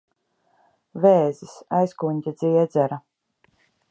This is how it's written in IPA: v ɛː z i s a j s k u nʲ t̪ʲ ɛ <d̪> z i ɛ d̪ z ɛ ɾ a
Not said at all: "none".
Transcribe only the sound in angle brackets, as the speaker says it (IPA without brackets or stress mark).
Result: d̪